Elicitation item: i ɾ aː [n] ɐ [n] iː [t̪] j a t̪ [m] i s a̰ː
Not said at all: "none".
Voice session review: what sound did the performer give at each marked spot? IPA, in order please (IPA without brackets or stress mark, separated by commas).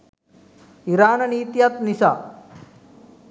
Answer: n, n, t̪, n